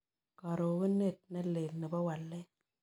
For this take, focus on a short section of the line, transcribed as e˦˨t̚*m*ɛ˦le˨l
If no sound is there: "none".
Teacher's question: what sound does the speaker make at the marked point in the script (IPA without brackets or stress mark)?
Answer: n